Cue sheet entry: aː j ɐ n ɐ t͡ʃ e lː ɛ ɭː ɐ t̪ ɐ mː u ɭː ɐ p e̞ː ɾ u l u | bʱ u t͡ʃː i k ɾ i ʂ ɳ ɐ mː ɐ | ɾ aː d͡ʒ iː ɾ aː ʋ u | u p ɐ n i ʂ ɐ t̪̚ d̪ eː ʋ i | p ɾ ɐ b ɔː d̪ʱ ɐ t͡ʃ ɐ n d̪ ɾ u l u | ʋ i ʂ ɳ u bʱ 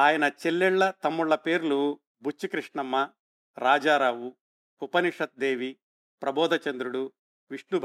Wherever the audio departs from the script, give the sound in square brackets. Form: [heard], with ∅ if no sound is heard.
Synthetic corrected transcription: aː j ɐ n ɐ t͡ʃ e lː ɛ ɭː ɐ t̪ ɐ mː u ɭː ɐ p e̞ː ɾ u l u | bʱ u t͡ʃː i k ɾ i ʂ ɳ ɐ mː ɐ | ɾ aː d͡ʒ [aː] ɾ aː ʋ u | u p ɐ n i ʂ ɐ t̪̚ d̪ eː ʋ i | p ɾ ɐ b ɔː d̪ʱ ɐ t͡ʃ ɐ n d̪ ɾ u [ɽ] u | ʋ i ʂ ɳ u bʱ